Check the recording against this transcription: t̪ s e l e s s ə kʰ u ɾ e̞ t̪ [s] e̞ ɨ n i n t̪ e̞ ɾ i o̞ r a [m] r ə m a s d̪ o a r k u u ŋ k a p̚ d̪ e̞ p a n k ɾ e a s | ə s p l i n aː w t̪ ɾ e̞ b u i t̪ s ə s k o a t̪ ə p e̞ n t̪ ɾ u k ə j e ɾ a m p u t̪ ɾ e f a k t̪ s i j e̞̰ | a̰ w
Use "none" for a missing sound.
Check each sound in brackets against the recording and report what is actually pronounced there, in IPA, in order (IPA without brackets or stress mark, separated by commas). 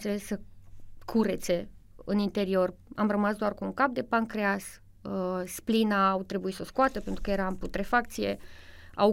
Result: s, m